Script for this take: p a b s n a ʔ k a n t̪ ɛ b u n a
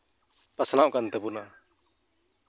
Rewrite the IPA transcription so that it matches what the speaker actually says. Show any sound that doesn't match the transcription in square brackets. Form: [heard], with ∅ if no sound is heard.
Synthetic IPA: p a [∅] s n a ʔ k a n t̪ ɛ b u n a